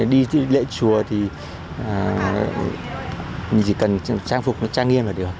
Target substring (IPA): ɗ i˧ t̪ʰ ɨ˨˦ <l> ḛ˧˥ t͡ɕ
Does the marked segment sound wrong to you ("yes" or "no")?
no